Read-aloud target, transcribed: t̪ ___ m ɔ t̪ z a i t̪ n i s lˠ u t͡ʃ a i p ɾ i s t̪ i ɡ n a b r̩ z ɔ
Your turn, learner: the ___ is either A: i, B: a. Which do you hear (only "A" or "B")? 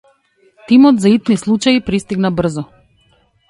A